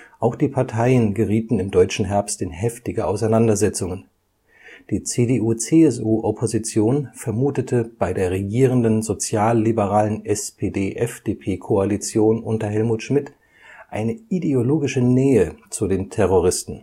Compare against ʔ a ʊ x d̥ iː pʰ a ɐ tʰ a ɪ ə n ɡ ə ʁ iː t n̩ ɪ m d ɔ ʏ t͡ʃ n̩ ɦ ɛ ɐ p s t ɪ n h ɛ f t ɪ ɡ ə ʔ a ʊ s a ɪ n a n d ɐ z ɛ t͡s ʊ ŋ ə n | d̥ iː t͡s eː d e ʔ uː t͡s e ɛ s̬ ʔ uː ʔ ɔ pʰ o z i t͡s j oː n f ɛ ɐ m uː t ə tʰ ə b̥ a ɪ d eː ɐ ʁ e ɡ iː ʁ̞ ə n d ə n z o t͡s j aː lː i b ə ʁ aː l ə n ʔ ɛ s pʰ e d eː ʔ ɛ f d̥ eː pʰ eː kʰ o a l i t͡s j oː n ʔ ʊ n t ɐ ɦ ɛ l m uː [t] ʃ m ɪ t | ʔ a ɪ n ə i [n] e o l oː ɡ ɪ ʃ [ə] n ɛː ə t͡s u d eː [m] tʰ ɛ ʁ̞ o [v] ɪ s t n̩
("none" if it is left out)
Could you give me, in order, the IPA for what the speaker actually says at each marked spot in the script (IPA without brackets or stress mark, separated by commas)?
t, d, ə, n, ʁ